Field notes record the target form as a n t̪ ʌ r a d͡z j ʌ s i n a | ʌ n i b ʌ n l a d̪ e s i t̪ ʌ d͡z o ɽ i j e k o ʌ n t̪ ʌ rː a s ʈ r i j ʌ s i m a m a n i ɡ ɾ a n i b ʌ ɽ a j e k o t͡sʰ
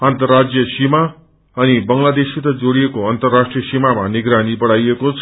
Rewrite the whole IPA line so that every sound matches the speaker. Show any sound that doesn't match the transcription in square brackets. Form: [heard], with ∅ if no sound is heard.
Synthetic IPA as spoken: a n t̪ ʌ r a d͡z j ʌ s i [m] a | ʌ n i b ʌ [ŋ] l a d̪ e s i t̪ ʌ d͡z o ɽ i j e k o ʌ n t̪ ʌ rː a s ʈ r i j ʌ s i m a m a n i ɡ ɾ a n i b ʌ ɽ a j e k o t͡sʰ